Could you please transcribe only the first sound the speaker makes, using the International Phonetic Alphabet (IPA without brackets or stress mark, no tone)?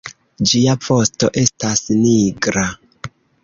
d͡ʒ